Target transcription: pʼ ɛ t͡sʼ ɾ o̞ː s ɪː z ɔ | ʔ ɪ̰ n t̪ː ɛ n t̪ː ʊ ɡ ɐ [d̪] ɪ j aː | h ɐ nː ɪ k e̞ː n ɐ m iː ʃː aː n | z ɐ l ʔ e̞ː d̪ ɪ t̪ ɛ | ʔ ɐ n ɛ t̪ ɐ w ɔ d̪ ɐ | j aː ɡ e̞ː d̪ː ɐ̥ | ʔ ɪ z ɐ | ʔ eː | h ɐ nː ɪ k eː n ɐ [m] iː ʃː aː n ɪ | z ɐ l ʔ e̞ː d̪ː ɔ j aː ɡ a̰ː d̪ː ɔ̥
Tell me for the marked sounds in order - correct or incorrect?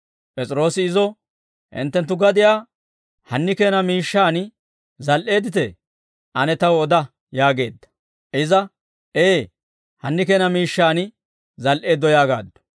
correct, correct

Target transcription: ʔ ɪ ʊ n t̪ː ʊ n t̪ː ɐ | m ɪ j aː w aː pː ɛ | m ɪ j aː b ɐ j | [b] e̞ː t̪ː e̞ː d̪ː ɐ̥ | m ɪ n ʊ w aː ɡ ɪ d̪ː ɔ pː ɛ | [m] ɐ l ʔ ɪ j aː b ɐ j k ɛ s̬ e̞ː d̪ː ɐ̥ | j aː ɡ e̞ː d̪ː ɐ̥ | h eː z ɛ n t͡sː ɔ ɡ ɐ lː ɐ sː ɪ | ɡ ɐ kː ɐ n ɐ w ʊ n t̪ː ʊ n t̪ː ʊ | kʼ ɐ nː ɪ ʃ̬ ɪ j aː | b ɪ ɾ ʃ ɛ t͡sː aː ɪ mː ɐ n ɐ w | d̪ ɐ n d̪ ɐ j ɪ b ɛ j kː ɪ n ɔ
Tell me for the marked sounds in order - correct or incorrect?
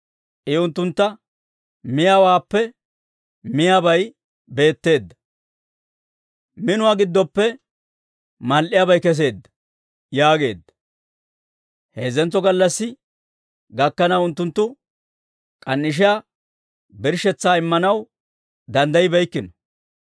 correct, correct

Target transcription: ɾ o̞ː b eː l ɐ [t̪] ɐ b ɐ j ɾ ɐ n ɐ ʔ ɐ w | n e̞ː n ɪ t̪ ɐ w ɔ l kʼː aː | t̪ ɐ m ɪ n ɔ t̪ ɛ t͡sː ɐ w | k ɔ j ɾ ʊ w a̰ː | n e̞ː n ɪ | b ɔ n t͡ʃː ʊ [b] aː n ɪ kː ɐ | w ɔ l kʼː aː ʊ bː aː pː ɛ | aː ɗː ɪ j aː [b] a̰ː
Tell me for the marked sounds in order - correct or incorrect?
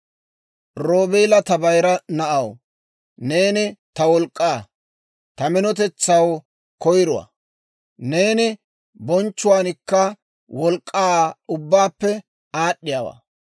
correct, incorrect, incorrect

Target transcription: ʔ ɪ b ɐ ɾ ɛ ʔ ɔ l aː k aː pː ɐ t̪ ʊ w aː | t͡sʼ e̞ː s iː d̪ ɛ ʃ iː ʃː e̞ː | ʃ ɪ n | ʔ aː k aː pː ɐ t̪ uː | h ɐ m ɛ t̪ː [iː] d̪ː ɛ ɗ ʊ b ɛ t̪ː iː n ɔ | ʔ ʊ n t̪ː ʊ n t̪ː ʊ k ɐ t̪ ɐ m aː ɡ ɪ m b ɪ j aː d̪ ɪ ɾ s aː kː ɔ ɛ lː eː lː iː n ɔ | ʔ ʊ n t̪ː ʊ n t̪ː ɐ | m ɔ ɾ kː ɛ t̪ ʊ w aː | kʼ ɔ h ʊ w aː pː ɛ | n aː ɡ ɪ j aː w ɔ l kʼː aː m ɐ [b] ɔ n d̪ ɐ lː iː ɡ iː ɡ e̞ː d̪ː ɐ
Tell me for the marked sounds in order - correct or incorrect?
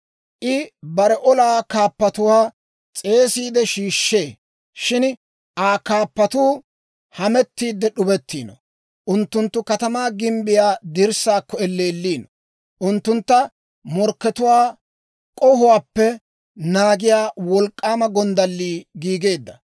correct, incorrect

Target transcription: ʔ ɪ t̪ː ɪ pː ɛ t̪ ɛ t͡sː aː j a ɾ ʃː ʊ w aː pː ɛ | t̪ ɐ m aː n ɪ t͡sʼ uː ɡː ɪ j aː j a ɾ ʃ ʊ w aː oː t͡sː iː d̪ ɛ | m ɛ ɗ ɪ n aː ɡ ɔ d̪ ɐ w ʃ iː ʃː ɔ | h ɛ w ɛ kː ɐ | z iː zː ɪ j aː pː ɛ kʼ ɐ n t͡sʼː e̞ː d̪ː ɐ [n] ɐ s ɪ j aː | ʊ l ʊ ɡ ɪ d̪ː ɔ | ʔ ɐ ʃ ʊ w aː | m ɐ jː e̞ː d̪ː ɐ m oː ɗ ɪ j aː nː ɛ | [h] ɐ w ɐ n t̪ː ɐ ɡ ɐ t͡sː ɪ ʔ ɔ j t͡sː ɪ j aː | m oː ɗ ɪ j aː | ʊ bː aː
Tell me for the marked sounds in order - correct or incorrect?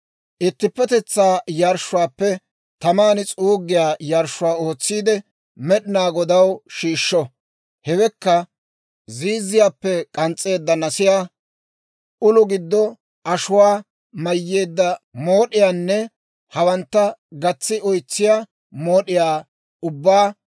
correct, correct

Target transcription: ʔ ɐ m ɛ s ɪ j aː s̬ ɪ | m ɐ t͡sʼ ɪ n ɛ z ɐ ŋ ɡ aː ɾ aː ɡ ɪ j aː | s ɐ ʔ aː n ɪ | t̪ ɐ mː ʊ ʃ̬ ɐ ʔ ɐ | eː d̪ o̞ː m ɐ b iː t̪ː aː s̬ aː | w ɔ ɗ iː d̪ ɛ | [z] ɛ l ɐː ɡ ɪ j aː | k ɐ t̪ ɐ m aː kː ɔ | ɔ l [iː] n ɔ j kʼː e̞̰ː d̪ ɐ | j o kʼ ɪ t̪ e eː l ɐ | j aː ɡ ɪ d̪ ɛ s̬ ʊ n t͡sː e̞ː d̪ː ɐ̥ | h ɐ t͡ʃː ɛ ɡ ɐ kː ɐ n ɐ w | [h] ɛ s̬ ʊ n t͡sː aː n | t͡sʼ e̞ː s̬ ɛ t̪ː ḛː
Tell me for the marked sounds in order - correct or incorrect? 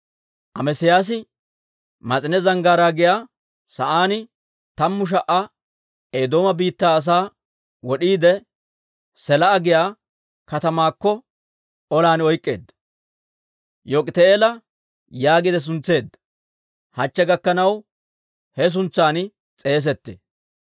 incorrect, incorrect, correct

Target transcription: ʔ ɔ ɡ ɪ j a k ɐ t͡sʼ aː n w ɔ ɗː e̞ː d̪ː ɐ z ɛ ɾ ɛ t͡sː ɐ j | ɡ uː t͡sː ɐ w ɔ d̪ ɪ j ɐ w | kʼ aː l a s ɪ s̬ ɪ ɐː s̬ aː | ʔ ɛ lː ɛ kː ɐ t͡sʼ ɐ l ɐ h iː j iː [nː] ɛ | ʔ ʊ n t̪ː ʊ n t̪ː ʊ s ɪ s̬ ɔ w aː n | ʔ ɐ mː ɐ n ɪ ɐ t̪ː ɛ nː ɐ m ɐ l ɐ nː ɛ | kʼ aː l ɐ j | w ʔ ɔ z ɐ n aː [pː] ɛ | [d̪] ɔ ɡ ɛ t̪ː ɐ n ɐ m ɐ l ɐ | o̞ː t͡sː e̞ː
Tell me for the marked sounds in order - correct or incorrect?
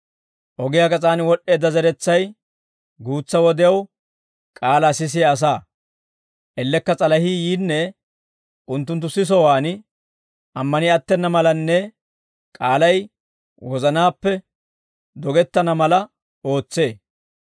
correct, correct, correct

